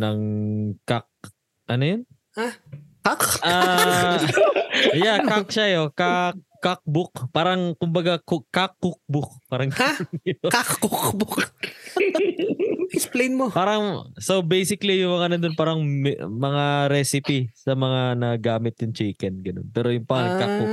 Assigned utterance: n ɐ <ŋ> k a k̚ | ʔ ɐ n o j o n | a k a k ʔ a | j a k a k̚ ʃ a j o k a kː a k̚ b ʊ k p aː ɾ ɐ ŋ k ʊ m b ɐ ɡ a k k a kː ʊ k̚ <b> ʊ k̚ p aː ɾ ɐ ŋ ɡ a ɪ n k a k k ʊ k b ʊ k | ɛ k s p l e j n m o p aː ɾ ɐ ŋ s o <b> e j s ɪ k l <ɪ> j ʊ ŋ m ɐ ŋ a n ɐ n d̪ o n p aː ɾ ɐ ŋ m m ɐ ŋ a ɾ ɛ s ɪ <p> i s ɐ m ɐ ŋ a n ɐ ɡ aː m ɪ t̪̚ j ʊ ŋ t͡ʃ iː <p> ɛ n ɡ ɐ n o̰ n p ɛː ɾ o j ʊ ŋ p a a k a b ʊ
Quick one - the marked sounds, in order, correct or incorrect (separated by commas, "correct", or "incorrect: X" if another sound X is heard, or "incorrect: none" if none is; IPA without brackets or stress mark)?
correct, correct, correct, incorrect: i, correct, incorrect: k